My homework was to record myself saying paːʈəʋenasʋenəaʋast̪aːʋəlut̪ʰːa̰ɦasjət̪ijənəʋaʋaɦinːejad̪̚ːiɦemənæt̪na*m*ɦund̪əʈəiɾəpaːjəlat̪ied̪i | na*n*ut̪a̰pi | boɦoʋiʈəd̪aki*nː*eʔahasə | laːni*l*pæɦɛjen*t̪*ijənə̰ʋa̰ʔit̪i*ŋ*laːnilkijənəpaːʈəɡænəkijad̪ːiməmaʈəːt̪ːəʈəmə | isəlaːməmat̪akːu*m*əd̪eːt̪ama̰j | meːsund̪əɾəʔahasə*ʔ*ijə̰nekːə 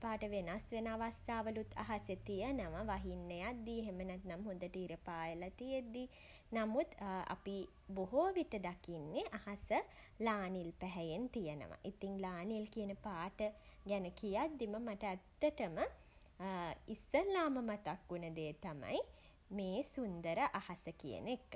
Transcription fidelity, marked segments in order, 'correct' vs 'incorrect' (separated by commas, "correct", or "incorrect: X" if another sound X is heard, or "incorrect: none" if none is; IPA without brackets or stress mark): correct, incorrect: m, correct, correct, correct, correct, incorrect: n, incorrect: k